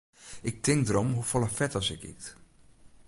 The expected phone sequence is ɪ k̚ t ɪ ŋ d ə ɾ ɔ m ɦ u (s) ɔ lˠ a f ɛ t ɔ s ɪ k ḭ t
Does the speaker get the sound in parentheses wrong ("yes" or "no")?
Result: yes